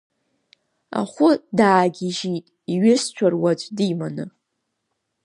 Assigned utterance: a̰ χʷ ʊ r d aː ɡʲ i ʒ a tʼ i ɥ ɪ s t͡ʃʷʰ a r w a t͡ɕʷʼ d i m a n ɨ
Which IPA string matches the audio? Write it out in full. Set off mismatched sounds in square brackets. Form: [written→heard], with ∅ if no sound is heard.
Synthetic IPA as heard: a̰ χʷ ʊ [r→∅] d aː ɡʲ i ʒ [a→i] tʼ i ɥ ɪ s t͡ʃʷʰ a r w a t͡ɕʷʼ d i m a n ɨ